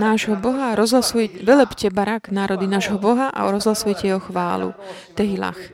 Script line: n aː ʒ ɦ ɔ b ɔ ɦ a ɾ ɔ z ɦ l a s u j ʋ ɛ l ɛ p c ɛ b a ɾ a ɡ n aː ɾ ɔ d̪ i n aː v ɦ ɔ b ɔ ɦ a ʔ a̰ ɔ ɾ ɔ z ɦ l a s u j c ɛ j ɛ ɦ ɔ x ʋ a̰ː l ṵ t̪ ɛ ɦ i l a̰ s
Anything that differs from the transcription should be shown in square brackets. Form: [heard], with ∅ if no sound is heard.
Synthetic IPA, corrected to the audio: n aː ʒ ɦ ɔ b ɔ ɦ a ɾ ɔ z ɦ l a s u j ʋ ɛ l ɛ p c ɛ b a ɾ a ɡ n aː ɾ ɔ d̪ i n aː [ʒ] ɦ ɔ b ɔ ɦ a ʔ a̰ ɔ ɾ ɔ z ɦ l a s u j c ɛ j ɛ ɦ ɔ x ʋ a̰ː l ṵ t̪ ɛ ɦ i l a̰ [x]